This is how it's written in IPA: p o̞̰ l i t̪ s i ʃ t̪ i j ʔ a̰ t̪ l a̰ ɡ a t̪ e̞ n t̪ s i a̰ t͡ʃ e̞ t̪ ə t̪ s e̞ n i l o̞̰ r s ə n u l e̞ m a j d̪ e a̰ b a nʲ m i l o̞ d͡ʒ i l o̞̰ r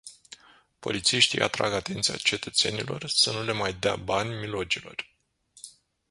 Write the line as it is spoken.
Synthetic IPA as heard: p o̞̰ l i t̪ s i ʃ t̪ i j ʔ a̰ t̪ ɾ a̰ ɡ a t̪ e̞ n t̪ s i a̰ t͡ʃ e̞ t̪ ə t̪ s e̞ n i l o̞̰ r s ə n u l e̞ m a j d̪ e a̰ b a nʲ m i l o̞ d͡ʒ i l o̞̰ r